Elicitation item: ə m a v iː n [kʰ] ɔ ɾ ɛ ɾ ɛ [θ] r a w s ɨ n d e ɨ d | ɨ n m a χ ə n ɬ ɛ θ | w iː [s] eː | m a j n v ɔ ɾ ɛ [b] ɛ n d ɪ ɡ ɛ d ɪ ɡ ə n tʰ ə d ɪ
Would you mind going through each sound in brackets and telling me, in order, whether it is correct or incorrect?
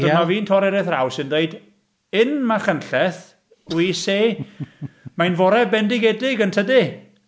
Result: incorrect, correct, correct, correct

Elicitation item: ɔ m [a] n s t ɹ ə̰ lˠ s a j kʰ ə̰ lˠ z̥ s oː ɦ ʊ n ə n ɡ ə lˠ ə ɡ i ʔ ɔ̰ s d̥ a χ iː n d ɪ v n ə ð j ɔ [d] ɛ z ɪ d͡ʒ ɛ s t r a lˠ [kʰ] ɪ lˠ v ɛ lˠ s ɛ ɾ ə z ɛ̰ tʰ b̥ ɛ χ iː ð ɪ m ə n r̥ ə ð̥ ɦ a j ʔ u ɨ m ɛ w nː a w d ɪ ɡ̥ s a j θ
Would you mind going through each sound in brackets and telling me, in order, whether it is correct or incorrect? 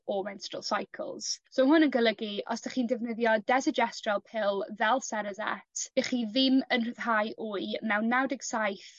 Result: incorrect, correct, incorrect

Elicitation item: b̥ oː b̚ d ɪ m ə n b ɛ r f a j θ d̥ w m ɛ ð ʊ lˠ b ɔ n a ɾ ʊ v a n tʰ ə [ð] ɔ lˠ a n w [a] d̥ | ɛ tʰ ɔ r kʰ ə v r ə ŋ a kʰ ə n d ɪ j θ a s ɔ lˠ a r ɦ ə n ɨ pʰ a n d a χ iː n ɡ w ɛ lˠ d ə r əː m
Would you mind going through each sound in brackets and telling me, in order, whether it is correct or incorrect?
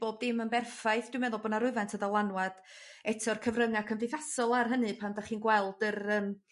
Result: correct, correct

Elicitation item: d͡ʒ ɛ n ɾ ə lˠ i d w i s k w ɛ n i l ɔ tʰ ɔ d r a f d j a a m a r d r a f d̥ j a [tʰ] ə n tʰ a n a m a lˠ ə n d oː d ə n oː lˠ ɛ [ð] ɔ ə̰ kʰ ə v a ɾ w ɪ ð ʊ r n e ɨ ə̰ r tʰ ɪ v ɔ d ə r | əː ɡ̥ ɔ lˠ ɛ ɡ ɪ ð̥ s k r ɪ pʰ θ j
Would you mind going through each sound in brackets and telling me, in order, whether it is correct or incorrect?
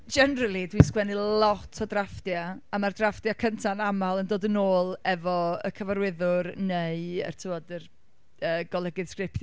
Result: incorrect, incorrect

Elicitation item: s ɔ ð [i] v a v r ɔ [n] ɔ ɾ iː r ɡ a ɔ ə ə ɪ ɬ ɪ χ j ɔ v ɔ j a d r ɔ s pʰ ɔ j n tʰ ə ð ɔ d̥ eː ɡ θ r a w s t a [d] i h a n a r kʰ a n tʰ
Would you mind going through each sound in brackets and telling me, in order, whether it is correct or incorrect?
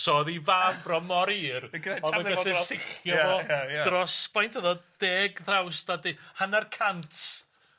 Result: correct, incorrect, correct

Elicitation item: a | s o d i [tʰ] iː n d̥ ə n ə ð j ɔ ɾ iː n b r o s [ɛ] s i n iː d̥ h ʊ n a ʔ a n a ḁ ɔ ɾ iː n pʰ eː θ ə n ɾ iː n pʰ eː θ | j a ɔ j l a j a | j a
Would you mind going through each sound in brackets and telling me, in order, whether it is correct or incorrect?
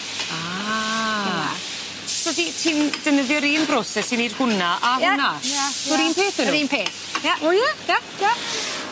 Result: correct, correct

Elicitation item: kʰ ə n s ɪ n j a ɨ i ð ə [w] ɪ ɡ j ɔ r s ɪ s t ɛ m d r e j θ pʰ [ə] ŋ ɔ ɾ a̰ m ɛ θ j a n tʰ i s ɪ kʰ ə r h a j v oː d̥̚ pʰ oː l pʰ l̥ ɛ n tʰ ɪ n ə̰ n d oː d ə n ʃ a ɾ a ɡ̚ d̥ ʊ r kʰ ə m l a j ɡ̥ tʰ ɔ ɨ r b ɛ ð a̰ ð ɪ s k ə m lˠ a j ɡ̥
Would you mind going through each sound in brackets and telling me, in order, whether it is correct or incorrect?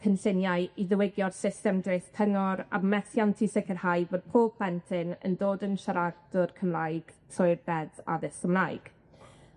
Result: correct, correct

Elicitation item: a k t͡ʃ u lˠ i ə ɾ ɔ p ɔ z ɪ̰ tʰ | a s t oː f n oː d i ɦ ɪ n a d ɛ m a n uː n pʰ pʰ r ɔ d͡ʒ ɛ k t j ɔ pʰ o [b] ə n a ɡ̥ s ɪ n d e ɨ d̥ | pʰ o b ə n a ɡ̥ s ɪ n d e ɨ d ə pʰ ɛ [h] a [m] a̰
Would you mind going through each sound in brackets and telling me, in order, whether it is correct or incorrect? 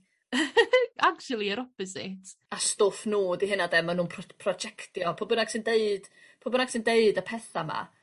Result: correct, incorrect, correct

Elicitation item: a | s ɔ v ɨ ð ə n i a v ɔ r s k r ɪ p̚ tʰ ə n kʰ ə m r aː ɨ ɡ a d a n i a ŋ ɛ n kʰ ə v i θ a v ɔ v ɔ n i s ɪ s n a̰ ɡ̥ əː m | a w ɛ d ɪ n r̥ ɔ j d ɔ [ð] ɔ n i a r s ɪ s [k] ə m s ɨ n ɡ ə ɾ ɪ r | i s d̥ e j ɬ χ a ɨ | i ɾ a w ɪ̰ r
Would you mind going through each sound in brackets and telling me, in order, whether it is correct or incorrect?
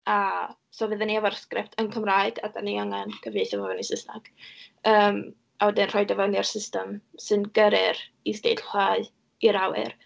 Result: incorrect, incorrect

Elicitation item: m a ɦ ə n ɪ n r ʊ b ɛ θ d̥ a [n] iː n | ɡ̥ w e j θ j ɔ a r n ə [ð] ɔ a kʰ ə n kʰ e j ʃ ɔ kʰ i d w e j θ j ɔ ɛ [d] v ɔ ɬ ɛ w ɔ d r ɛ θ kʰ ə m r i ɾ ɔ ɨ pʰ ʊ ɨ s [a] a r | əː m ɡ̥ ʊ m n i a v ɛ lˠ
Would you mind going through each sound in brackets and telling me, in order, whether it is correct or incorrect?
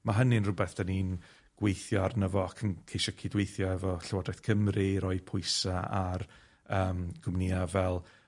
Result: correct, incorrect, incorrect, correct

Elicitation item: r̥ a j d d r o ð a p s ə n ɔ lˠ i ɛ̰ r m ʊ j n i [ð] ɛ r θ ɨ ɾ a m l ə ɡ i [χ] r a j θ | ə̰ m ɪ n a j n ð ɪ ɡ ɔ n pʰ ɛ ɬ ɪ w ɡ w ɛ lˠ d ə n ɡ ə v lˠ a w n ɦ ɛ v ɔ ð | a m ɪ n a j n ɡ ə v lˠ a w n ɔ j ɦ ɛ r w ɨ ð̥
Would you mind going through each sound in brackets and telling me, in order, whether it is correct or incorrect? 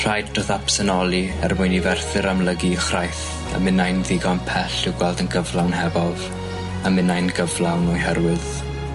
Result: incorrect, correct

